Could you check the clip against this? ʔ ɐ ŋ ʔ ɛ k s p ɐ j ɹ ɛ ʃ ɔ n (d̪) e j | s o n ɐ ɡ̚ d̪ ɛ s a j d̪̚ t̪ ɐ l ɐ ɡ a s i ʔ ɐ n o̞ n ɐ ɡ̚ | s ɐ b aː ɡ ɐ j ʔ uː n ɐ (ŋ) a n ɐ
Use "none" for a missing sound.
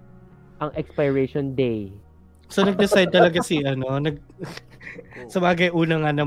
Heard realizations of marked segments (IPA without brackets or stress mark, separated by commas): d̪, ŋ